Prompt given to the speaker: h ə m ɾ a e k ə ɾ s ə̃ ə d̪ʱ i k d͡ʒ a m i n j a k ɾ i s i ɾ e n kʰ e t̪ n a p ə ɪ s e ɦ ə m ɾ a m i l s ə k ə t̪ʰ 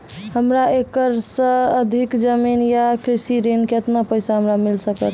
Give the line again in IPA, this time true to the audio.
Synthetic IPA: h ə m ɾ a e k ə ɾ s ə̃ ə d̪ʱ i k d͡ʒ ə m i n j a k ɾ i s i ɾ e n k e t̪ n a p ə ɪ s a ɦ ə m ɾ a m i l s ə k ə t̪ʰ